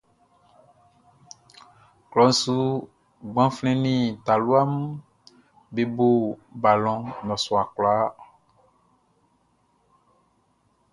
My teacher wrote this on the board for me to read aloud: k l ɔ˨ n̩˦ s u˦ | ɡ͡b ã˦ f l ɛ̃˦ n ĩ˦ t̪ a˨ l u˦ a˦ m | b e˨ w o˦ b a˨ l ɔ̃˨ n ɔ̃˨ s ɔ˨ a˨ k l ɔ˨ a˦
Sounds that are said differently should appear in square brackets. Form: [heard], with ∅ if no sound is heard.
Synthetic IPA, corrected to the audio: k l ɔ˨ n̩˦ s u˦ | ɡ͡b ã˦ f l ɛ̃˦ n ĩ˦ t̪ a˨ l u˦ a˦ m | b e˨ [b] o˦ b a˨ l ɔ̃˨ n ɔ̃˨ s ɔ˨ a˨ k l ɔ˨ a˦

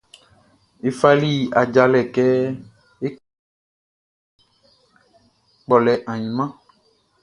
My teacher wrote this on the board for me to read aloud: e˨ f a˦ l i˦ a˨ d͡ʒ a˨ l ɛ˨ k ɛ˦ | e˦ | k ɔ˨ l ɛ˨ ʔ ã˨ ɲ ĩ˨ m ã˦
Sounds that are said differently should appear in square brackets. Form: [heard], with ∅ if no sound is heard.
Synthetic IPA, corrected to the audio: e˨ f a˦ l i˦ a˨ d͡ʒ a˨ l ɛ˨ k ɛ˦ | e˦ | [k͡p] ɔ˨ l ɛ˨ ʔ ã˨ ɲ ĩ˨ m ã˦

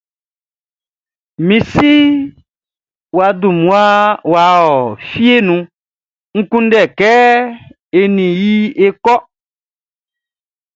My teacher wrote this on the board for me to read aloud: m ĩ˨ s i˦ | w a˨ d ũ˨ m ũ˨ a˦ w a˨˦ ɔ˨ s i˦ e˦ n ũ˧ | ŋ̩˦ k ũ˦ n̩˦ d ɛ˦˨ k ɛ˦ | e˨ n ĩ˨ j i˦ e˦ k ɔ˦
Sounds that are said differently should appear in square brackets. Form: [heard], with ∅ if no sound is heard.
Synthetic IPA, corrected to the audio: m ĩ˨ s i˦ | w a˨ d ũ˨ m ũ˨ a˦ w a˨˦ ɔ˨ [f] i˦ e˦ n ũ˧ | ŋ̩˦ k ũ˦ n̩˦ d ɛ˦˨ k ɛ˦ | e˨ n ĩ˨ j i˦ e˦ k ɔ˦

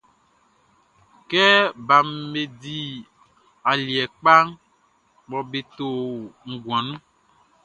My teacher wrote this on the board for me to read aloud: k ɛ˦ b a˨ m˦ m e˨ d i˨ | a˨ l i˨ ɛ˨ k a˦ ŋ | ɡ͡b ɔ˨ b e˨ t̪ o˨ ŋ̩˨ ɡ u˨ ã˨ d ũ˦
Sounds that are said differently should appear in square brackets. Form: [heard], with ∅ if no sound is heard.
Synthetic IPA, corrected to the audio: k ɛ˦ b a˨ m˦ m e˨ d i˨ | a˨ l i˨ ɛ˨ [k͡p] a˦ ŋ | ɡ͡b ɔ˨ b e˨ t̪ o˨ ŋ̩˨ ɡ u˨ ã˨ [n] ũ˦

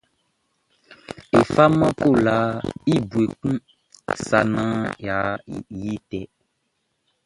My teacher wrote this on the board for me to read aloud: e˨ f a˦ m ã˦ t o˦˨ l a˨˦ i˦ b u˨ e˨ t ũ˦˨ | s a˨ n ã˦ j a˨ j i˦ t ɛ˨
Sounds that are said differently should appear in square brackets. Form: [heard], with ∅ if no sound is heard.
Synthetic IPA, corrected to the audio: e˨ f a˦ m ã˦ [k] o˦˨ l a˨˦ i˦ b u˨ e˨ [k] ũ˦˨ | s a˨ n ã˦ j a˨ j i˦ t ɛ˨

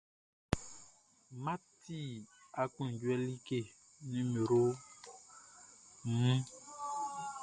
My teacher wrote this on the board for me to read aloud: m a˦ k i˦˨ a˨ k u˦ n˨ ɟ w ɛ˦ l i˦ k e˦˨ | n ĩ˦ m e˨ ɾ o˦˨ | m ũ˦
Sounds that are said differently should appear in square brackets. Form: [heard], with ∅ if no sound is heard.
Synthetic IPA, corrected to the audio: m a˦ [t] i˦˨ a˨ k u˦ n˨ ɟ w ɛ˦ l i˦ k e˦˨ | n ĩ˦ m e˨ ɾ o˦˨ | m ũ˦

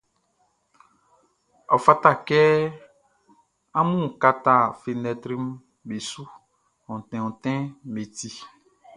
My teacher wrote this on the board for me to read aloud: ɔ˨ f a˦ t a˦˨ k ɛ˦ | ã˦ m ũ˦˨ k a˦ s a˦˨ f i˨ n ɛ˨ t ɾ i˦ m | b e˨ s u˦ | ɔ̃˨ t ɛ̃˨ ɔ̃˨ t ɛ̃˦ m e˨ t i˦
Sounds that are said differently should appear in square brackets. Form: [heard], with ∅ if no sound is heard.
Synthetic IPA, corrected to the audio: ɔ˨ f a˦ t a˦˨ k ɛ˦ | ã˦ m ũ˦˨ k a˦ [t] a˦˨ f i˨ n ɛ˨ t ɾ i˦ m | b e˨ s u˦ | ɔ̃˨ t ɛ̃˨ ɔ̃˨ t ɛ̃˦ m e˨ t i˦

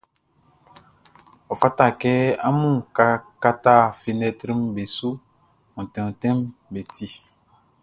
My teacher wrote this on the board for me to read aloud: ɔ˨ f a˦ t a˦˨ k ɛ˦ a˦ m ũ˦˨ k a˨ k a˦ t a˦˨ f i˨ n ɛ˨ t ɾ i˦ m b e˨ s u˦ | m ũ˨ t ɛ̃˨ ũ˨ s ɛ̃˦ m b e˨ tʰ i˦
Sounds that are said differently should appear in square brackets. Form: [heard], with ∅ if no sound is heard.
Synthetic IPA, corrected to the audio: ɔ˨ f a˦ t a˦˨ k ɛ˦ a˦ m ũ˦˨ k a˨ k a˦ t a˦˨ f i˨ n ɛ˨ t ɾ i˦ m b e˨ s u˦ | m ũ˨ t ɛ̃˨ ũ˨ [t] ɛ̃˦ m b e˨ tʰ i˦

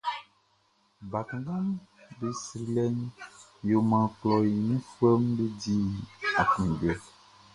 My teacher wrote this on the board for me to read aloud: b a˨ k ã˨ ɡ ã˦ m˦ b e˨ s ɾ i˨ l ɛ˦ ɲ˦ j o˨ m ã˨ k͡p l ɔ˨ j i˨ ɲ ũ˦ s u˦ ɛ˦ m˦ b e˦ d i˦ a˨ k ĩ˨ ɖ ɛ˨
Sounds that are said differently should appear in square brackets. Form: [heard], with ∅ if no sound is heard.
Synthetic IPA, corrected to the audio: b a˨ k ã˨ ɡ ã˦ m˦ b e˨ s ɾ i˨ l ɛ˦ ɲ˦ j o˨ m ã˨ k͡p l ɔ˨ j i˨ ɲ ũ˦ [f] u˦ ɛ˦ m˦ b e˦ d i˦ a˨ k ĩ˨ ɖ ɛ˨

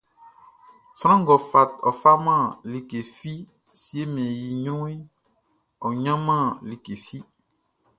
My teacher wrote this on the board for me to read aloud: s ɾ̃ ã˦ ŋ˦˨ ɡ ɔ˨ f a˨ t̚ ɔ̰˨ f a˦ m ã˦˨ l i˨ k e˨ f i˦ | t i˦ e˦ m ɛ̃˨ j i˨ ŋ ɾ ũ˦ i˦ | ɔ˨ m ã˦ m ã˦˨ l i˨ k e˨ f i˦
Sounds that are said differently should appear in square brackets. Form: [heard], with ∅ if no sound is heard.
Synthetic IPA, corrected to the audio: s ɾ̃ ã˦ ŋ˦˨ ɡ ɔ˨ f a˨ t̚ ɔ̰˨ f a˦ m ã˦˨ l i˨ k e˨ f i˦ | [s] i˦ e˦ m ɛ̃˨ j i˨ [ɲ] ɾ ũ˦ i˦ | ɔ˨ [ɲ] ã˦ m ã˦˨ l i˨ k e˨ f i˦

